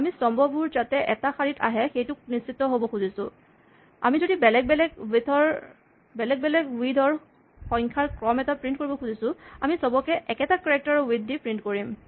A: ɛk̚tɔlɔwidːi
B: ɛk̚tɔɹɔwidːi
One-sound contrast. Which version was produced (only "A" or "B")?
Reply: B